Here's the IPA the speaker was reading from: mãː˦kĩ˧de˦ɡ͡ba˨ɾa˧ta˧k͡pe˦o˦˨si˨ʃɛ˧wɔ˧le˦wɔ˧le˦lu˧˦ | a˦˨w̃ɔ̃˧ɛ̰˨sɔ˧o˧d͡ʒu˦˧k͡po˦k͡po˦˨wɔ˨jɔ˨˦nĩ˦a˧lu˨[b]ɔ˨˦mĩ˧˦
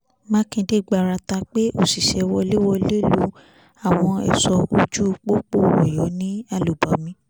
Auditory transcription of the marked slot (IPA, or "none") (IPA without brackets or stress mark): b